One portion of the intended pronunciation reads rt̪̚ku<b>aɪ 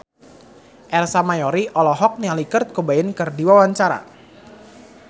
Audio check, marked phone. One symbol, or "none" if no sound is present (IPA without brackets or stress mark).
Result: b